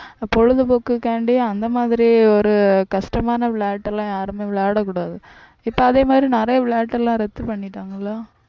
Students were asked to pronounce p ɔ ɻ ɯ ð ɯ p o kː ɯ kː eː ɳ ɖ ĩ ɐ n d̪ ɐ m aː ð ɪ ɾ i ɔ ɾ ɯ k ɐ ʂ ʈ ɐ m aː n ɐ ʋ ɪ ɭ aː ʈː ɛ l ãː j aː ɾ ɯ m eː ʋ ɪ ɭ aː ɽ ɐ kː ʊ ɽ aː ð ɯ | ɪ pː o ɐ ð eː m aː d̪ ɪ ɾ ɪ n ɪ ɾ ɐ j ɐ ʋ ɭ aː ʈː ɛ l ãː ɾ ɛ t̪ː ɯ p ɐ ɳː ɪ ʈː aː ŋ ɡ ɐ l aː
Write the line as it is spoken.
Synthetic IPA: p ɔ ɻ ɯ ð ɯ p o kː ɯ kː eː ɳ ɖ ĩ ɐ n d̪ ɐ m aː ð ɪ ɾ i ɔ ɾ ɯ k ɐ ʂ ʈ ɐ m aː n ɐ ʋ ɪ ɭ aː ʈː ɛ l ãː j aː ɾ ɯ m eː ʋ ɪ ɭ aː ɽ ɐ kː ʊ ɽ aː ð ɯ | ɪ pː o ɐ ð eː m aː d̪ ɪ ɾ i n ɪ ɾ ɐ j ɐ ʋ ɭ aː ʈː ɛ l ãː ɾ ɛ t̪ː ɯ p ɐ ɳː ɪ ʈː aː ŋ ɡ ɐ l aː